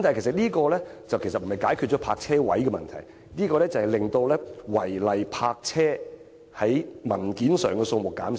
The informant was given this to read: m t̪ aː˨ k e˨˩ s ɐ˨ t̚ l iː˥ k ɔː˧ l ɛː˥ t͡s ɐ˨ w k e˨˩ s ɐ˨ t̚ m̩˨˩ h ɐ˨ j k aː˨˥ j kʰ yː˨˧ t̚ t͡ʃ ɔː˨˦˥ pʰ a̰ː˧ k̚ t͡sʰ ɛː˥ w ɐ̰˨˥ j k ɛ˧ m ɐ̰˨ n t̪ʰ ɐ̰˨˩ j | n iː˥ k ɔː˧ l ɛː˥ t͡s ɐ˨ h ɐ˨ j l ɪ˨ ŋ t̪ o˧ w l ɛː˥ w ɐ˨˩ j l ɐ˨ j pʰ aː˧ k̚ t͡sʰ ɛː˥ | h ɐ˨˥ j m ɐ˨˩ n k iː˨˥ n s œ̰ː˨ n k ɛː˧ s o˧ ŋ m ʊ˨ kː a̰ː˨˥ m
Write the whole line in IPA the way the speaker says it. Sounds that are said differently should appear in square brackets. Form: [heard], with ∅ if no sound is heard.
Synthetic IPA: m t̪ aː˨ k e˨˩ s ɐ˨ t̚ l iː˥ k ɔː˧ l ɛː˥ t͡s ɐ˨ w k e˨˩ s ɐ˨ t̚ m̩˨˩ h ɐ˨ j k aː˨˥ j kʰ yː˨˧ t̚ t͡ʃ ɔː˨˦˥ pʰ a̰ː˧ k̚ t͡sʰ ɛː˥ w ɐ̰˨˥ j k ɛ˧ m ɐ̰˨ n t̪ʰ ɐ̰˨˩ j | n iː˥ k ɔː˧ l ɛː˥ t͡s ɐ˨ h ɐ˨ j l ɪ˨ ŋ t̪ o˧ w l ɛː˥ w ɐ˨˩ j l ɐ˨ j pʰ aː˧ k̚ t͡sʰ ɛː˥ | h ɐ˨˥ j m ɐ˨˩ n k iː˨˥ n s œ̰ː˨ [ŋ] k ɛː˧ s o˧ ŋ m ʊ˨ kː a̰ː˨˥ m

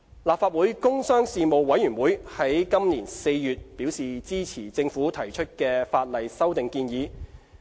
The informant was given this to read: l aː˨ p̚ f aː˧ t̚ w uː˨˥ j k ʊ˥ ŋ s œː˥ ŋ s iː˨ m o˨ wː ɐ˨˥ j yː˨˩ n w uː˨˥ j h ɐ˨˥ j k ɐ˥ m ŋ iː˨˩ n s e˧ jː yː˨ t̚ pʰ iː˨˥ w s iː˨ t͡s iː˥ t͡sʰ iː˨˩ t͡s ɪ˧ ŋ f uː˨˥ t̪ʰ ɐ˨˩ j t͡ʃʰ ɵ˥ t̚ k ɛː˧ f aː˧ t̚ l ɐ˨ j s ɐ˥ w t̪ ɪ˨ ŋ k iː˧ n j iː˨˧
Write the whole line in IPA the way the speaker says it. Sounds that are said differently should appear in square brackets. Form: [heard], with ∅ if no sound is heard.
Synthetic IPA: l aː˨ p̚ f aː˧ t̚ w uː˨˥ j k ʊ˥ ŋ s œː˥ ŋ s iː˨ m o˨ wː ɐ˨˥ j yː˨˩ n w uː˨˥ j h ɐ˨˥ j k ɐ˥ m [n] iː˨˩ n s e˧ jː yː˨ t̚ [p] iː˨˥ w s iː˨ t͡s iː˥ t͡sʰ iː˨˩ t͡s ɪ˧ ŋ f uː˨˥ t̪ʰ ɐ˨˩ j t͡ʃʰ ɵ˥ t̚ k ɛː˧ f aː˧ t̚ l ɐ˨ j s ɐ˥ w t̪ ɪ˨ ŋ k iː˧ n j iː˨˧

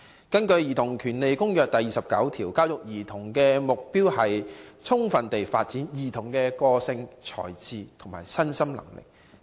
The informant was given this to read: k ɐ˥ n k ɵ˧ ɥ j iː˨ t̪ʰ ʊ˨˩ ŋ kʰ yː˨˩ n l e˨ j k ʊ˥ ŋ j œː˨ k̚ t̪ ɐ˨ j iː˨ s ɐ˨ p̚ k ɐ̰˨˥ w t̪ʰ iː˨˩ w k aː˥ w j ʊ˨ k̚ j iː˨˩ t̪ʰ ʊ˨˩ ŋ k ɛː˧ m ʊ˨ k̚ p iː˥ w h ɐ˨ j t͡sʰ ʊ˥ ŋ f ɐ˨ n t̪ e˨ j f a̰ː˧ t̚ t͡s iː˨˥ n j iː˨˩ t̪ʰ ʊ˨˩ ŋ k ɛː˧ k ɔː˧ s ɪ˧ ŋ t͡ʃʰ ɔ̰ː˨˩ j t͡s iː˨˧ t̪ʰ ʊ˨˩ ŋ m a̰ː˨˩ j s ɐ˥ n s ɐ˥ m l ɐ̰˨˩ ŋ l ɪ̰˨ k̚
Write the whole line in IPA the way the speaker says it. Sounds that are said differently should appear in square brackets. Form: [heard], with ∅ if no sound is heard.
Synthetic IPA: k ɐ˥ n k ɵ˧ ɥ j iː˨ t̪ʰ ʊ˨˩ ŋ kʰ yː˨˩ n l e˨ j k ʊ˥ ŋ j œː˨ k̚ t̪ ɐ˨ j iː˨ s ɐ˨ p̚ k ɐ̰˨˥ w t̪ʰ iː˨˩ w k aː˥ w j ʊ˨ k̚ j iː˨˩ t̪ʰ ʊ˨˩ ŋ k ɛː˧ m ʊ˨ k̚ p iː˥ w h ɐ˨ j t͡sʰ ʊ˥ ŋ f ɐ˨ n t̪ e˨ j f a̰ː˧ t̚ t͡s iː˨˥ n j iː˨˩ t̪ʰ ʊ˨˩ ŋ k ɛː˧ k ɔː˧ s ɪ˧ ŋ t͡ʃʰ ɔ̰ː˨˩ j t͡s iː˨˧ t̪ʰ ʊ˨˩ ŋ m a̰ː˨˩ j s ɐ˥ n s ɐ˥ m l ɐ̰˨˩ ŋ l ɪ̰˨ k̚

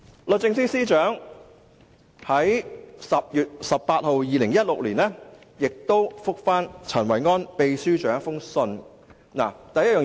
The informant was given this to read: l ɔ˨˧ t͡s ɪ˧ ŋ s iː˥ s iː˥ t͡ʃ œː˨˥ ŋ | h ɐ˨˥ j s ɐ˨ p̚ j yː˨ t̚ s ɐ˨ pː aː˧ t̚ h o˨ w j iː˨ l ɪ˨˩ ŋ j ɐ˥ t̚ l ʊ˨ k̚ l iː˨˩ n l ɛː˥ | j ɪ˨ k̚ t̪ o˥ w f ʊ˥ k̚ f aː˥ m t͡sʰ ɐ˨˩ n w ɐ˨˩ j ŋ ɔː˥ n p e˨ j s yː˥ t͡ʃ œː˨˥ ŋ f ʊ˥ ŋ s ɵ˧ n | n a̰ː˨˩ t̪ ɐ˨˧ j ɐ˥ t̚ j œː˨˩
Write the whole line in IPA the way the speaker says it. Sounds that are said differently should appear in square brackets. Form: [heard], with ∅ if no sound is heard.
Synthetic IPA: l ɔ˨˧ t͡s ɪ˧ ŋ s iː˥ s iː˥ t͡ʃ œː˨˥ ŋ | h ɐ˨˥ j s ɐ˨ p̚ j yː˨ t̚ s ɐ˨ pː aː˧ t̚ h o˨ w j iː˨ l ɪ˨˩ ŋ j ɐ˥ t̚ l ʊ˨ k̚ l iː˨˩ n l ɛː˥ | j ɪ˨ k̚ t̪ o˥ w f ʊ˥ k̚ f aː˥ [n] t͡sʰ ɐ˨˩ n w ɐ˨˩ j ŋ ɔː˥ n p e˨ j s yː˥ t͡ʃ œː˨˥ ŋ f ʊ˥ ŋ s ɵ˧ n | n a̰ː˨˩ t̪ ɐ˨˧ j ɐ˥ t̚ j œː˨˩

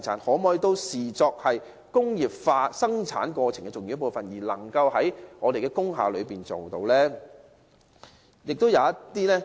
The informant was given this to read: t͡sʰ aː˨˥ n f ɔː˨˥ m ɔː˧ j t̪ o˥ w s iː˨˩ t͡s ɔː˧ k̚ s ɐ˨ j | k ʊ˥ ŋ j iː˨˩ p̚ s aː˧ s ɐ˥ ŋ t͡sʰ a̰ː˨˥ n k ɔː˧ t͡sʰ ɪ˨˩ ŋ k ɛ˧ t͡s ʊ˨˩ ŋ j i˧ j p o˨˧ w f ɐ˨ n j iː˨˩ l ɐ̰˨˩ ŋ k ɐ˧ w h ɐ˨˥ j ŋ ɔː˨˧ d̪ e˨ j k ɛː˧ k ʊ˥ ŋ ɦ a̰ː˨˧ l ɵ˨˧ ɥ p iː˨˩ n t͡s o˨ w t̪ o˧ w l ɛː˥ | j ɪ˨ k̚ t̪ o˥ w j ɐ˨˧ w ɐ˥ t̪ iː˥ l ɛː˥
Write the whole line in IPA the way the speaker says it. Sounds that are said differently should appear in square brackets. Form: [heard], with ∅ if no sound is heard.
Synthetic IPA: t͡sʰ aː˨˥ n [h] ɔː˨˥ m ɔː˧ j t̪ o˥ w s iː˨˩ t͡s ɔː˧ k̚ [h] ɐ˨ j | k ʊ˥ ŋ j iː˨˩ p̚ [f] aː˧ s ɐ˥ ŋ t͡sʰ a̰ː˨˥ n k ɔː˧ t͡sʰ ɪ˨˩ ŋ k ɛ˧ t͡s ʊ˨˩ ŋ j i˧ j p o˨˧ w f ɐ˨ n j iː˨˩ l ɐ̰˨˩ ŋ k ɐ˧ w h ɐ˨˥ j ŋ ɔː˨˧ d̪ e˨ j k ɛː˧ k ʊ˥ ŋ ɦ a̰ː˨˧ l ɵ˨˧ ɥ p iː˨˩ n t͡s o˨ w t̪ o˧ w l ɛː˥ | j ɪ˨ k̚ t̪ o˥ w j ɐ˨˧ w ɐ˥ t̪ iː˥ l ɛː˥

